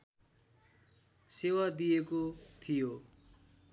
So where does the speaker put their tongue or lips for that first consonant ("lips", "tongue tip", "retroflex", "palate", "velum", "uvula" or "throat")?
tongue tip